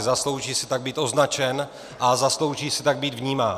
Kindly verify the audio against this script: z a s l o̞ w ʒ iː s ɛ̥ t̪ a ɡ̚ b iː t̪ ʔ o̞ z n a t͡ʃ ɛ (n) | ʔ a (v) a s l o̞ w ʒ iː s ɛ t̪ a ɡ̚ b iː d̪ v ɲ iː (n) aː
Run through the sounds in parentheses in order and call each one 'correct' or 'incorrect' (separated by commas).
correct, incorrect, incorrect